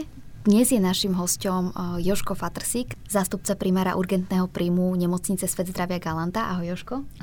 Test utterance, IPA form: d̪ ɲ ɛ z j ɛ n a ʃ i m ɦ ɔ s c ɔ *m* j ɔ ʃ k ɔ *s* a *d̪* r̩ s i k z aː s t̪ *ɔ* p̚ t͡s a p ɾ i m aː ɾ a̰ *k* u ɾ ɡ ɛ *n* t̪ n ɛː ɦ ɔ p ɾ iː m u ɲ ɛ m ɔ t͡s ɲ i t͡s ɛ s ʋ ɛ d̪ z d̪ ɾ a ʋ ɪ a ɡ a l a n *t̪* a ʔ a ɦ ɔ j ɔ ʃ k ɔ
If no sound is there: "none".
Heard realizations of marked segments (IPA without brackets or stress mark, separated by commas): m, f, t̪, u, ʔ, n, t̪